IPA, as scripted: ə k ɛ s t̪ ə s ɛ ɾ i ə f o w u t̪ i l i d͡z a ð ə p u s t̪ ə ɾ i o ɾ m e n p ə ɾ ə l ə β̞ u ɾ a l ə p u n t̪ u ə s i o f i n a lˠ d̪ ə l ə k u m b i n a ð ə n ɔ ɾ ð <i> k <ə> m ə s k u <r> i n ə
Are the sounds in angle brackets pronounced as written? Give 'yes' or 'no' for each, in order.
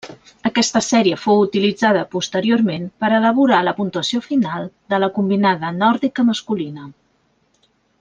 yes, yes, no

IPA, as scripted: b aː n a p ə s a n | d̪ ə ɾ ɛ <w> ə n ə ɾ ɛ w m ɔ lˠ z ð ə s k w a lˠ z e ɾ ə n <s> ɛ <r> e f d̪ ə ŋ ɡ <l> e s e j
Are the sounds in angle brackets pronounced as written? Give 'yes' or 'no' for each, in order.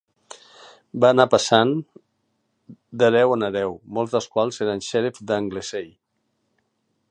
yes, no, no, yes

